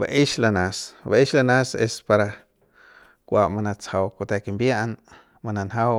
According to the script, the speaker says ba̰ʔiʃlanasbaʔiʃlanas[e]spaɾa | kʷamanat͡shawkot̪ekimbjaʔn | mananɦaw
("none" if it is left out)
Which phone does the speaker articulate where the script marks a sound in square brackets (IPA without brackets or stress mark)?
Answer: e